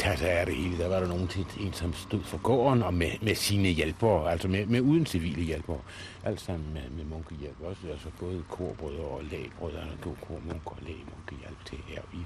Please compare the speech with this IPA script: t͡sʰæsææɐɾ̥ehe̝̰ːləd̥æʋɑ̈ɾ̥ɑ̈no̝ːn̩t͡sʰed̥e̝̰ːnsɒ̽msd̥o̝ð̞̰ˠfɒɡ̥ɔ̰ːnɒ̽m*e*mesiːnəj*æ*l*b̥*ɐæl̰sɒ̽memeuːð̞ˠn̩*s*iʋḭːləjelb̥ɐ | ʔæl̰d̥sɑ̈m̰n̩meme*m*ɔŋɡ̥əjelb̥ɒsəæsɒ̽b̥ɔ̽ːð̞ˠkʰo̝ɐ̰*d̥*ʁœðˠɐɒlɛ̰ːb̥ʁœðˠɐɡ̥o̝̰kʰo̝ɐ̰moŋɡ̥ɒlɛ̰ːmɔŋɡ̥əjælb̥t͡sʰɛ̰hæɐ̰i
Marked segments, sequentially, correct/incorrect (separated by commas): correct, incorrect, correct, correct, correct, incorrect